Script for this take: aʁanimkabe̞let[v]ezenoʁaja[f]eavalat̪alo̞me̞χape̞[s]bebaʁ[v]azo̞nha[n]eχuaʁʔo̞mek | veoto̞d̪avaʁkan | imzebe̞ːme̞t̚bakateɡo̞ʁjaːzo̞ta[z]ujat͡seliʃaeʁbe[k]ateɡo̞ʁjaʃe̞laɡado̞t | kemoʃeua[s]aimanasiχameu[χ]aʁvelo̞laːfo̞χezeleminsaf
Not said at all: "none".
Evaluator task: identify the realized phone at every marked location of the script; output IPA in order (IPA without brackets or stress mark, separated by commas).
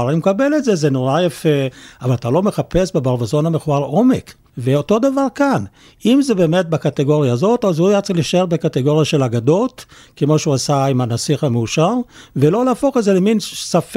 z, f, s, v, m, z, k, s, ʃ